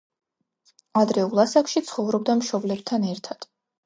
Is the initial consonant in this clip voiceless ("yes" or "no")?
no